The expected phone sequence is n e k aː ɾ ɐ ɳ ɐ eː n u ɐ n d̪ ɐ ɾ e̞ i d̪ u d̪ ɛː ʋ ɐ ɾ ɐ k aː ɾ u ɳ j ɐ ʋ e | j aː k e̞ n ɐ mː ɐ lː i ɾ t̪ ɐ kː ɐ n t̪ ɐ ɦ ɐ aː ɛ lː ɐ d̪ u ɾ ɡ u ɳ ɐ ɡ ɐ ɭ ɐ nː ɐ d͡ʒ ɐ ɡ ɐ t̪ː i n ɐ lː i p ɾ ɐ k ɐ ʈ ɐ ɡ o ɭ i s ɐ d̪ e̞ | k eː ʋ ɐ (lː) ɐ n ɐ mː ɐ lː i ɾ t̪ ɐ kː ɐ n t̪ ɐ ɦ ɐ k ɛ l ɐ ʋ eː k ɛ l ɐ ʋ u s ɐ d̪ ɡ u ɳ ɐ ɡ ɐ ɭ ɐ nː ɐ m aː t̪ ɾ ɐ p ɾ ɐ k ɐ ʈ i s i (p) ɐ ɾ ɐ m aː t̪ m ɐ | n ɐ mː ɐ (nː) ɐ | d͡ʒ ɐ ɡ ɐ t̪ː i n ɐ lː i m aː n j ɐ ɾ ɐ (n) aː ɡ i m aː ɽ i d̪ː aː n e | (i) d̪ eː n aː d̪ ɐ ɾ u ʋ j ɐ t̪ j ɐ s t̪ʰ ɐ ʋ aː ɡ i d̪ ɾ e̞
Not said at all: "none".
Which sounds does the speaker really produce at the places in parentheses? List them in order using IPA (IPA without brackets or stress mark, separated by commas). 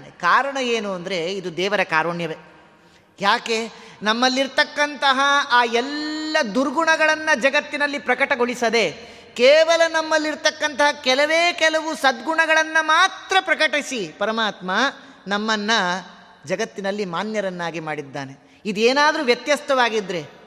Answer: l, p, nː, nː, i